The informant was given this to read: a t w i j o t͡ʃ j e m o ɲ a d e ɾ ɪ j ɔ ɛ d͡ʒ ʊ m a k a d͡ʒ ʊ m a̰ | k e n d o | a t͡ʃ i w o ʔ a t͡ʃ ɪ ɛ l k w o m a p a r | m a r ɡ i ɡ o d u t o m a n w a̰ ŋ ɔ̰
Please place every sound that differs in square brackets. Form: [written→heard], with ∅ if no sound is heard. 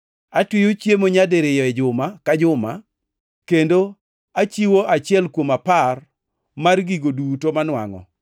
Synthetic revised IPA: a t w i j o t͡ʃ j e m o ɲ a d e ɾ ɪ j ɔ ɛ d͡ʒ ʊ m a k a d͡ʒ ʊ m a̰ | k e n d o | a t͡ʃ i w o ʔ a t͡ʃ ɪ ɛ l k w o m a p a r | m a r ɡ i ɡ o d u t o m a n w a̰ ŋ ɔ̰